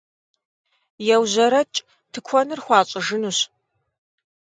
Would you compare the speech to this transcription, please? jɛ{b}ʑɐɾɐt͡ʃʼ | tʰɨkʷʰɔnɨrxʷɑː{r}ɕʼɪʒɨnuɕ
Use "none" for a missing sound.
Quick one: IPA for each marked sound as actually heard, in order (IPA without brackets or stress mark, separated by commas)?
w, none